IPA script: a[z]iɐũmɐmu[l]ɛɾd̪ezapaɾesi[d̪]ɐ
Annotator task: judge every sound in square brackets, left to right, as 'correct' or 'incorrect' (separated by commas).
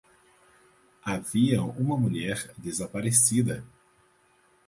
incorrect, incorrect, correct